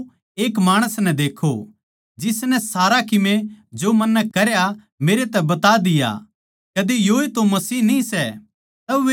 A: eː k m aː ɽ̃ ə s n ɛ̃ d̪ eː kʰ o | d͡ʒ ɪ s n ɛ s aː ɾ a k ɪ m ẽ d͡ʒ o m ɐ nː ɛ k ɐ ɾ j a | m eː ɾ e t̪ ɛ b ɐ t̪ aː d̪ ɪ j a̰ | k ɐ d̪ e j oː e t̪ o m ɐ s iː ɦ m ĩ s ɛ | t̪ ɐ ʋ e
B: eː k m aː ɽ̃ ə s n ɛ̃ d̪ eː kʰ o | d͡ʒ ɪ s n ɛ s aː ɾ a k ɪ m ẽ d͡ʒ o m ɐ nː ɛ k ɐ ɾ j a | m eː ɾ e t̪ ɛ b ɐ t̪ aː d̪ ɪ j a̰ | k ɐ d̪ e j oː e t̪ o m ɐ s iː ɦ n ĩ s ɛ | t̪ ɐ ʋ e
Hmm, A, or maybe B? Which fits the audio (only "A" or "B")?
B